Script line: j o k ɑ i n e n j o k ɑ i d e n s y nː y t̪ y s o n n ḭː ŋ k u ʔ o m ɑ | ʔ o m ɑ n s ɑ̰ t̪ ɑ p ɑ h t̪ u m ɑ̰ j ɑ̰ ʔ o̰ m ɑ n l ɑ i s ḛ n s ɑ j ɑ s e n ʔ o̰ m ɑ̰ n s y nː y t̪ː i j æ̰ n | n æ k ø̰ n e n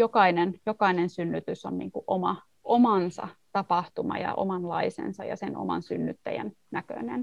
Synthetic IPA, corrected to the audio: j o k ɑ i n e n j o k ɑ i n e n s y nː y t̪ y s o n n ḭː ŋ k u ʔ o m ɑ | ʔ o m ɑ n s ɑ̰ t̪ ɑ p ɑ h t̪ u m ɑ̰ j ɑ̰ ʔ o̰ m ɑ n l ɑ i s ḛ n s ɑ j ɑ s e n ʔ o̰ m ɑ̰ n s y nː y t̪ː æ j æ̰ n | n æ k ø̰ n e n